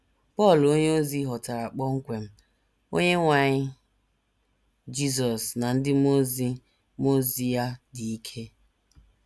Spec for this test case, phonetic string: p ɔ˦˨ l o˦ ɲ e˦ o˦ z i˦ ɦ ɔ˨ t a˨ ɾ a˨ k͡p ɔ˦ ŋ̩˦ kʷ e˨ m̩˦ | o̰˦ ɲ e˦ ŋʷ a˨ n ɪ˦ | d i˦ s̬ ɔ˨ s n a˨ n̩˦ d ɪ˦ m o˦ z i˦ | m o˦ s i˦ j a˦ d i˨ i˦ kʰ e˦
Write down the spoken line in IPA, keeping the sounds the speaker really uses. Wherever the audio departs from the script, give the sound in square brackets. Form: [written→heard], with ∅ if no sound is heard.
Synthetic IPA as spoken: p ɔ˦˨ l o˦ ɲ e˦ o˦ z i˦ ɦ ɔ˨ t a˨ ɾ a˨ k͡p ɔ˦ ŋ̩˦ kʷ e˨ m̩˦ | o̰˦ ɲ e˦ ŋʷ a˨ [n→ɲ] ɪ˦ | [d→d͡ʒ] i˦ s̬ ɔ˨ s n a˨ n̩˦ d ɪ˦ m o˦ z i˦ | m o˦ [s→z] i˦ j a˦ d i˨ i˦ kʰ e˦